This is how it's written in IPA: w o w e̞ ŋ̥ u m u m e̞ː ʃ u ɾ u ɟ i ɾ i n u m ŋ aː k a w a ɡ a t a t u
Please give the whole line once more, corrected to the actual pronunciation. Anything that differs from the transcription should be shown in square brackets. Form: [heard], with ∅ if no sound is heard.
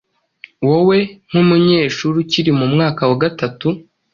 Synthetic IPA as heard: w o w e̞ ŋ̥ u m u [ɲ] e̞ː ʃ u ɾ u [c] i ɾ i [m] u m ŋ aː k a w a ɡ a t a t u